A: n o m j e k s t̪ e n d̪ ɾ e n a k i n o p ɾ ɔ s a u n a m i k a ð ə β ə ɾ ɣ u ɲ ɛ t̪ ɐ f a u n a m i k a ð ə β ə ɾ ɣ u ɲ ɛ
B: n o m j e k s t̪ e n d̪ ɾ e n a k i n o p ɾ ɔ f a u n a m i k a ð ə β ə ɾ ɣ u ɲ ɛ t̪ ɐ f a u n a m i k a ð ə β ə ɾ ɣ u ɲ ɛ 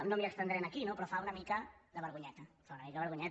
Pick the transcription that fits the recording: B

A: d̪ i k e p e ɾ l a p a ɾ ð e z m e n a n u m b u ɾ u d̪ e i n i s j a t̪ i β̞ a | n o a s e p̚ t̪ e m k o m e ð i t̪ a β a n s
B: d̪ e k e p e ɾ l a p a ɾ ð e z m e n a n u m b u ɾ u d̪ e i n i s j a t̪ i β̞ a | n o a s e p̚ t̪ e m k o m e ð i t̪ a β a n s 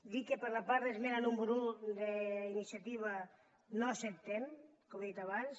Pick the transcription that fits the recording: A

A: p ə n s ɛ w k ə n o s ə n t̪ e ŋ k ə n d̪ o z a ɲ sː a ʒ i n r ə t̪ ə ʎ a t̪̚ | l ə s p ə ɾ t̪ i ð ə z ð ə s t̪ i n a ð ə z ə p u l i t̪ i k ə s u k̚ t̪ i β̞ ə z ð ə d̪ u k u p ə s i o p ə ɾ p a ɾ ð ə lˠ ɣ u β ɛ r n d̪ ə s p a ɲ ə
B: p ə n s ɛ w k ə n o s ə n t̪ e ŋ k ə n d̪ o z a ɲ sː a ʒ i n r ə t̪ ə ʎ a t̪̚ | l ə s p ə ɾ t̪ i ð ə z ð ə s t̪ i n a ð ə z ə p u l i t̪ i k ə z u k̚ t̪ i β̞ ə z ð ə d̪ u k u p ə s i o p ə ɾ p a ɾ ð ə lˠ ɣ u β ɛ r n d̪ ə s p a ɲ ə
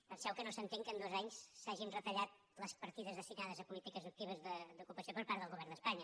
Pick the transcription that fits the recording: B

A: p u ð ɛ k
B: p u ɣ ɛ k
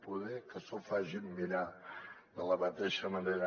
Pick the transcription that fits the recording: A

